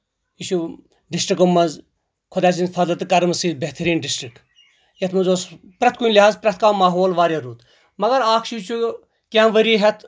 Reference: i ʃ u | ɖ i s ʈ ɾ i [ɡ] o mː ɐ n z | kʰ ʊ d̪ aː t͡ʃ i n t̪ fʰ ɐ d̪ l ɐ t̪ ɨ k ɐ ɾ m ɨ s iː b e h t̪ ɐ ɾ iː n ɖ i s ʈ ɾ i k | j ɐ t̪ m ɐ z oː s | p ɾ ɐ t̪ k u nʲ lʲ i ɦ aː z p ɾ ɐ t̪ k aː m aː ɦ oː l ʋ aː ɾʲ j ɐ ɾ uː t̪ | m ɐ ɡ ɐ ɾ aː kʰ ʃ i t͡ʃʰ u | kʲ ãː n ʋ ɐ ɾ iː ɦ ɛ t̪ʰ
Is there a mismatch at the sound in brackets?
yes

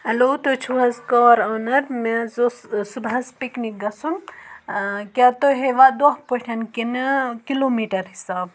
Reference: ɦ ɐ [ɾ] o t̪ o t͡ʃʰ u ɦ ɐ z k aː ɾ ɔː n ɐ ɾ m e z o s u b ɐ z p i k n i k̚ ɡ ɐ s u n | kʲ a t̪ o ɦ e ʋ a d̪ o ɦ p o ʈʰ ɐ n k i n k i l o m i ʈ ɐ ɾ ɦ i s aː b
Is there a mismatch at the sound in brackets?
yes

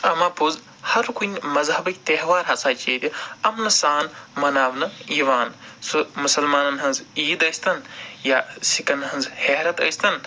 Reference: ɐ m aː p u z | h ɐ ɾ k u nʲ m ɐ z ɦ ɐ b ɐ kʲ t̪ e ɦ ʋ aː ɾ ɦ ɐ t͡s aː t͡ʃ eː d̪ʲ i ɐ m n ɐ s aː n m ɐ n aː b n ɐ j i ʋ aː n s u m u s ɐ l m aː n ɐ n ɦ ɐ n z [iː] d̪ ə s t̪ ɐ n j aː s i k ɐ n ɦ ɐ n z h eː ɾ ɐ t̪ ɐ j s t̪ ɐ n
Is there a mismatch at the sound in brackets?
no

